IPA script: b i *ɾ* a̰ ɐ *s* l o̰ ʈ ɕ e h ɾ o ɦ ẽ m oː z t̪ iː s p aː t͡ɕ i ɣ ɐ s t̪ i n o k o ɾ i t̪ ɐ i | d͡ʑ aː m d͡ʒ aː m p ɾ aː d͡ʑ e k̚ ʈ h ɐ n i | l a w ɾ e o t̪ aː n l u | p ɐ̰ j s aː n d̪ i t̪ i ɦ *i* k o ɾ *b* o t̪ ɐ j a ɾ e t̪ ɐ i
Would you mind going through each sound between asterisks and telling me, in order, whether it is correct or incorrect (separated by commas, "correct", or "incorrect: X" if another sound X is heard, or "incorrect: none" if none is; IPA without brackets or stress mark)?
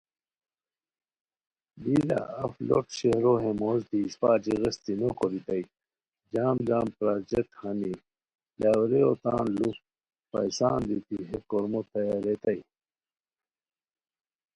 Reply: incorrect: l, incorrect: f, incorrect: e, incorrect: m